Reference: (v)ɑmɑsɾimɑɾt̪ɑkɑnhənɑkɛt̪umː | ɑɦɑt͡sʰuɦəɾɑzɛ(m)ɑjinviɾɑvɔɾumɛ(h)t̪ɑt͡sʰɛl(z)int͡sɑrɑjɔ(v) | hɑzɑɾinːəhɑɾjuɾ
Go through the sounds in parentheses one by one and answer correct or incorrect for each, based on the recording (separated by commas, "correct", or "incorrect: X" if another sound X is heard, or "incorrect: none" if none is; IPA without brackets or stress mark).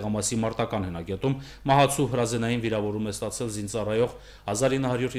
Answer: incorrect: ʁ, incorrect: n, incorrect: s, correct, incorrect: ʁ